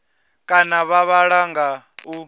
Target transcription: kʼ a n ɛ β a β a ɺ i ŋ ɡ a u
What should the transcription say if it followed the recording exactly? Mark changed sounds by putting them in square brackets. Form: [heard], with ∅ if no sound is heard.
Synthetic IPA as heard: kʼ a n [a] β a β a ɺ [a] ŋ ɡ a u